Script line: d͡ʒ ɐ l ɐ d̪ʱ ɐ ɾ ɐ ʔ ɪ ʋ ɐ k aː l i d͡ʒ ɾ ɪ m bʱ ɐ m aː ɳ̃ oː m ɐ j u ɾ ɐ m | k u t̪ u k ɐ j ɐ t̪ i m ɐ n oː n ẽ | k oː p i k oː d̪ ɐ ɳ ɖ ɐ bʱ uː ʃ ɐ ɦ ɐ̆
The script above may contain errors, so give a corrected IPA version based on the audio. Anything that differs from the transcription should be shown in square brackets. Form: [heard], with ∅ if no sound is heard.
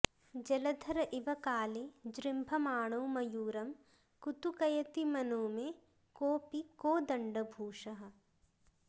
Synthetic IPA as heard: d͡ʒ ɐ l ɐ d̪ʱ ɐ ɾ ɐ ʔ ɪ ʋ ɐ k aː l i d͡ʒ ɾ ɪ m bʱ ɐ m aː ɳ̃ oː m ɐ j [uː] ɾ ɐ m | k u t̪ u k ɐ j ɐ t̪ i m ɐ n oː [m] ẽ | k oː p i k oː d̪ ɐ ɳ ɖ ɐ bʱ uː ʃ ɐ ɦ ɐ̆